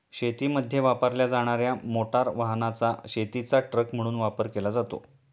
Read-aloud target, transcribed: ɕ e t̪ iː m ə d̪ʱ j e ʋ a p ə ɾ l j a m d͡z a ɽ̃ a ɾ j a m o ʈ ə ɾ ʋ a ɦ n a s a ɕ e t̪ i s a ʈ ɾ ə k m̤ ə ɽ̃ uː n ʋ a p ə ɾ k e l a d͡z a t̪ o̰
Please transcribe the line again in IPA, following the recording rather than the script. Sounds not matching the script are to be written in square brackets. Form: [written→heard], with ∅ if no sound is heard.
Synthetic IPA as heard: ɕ e t̪ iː m ə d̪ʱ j e ʋ a p ə ɾ l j a [m→∅] d͡z a ɽ̃ a ɾ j a m o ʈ [ə→a] ɾ ʋ a ɦ n a [s→t͡s] a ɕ e t̪ i [s→t͡s] a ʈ ɾ ə k m̤ ə ɽ̃ uː n ʋ a p ə ɾ k e l a d͡z a t̪ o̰